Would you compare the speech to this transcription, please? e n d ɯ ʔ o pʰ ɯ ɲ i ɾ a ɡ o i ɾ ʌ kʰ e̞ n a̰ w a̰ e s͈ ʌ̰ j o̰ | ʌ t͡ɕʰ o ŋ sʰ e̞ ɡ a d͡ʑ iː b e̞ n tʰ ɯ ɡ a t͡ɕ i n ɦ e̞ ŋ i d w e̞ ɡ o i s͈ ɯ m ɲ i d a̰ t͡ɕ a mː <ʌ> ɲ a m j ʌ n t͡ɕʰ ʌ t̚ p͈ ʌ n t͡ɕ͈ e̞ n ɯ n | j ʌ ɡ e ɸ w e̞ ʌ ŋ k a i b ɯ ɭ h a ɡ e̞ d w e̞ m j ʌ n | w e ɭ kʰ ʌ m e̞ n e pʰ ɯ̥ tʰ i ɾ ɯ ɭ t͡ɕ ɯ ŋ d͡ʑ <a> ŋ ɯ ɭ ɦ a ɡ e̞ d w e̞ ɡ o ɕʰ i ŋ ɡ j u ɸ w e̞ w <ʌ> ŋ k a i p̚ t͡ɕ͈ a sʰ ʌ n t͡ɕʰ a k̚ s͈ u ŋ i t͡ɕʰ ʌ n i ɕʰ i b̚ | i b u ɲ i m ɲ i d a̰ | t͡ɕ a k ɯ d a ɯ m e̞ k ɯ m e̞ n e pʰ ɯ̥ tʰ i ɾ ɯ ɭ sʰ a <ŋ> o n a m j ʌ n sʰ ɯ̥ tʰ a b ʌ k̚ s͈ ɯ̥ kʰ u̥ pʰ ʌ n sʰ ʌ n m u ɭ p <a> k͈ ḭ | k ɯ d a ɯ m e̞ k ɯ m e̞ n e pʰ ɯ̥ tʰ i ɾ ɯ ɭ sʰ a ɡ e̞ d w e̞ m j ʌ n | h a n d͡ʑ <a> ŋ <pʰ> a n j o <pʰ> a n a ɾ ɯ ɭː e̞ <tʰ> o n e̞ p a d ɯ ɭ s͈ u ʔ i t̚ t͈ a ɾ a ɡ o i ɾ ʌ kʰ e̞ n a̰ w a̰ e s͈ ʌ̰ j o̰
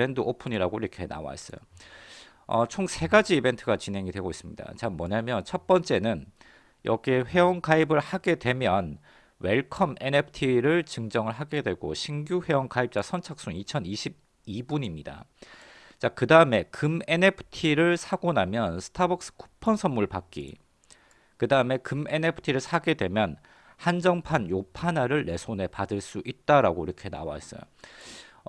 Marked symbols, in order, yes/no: yes, no, yes, no, yes, no, yes, yes, no

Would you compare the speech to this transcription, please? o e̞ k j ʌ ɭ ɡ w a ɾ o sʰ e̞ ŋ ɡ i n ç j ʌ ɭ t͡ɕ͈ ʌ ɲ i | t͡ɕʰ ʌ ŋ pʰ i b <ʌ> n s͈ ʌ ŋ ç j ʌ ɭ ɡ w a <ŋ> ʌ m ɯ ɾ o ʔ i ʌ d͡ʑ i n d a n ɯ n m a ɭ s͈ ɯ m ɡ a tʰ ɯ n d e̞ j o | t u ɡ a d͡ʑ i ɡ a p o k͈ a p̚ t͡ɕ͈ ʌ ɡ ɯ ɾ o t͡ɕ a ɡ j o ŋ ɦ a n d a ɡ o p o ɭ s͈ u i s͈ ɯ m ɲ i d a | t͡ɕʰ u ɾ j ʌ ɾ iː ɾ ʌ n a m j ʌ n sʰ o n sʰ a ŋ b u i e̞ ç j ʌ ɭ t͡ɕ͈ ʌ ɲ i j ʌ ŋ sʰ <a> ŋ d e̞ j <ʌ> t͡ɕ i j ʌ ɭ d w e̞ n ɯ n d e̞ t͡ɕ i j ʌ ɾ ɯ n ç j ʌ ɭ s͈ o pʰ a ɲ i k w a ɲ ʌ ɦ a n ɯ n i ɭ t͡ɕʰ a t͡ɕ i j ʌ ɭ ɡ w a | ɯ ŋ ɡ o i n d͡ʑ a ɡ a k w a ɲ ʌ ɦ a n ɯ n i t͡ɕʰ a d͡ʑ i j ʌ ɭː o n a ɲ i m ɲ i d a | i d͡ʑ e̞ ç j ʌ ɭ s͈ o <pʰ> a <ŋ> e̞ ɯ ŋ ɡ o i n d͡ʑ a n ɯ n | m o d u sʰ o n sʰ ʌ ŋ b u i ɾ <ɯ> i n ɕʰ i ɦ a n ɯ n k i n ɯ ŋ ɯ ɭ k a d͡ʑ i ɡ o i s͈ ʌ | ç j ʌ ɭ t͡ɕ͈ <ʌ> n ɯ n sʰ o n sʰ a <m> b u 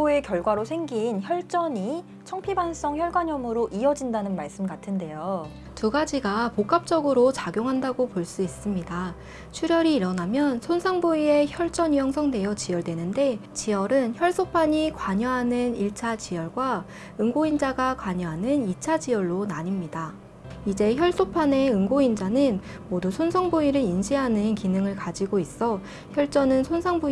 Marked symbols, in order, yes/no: no, no, no, yes, yes, no, yes, yes, no

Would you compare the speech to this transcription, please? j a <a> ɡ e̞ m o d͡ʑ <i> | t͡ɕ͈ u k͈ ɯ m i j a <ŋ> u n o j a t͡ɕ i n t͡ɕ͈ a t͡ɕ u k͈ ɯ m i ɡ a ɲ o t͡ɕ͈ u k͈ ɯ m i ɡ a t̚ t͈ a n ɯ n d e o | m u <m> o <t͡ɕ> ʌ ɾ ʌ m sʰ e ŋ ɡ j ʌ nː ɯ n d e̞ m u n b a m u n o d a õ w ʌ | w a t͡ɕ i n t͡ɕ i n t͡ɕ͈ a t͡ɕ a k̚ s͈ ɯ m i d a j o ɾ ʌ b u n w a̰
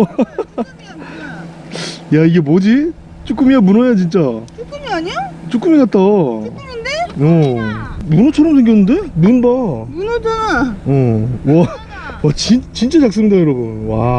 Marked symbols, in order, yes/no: no, yes, no, no, no

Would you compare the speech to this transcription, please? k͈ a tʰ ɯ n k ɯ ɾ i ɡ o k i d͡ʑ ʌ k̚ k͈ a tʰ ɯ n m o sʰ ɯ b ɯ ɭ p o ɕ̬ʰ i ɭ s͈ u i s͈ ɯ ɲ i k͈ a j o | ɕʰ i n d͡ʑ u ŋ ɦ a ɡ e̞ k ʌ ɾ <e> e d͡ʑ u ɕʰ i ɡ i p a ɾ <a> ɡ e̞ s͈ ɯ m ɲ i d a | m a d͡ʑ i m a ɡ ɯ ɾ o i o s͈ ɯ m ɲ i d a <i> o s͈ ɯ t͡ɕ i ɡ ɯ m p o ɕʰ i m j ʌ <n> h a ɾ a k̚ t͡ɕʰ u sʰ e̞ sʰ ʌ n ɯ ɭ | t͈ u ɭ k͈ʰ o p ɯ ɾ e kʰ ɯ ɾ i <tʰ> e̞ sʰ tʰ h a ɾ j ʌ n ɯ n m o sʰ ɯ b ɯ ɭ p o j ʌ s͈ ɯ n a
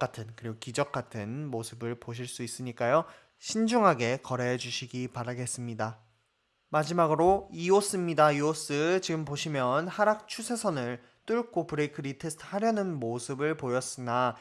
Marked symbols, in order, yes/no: yes, yes, yes, yes, yes

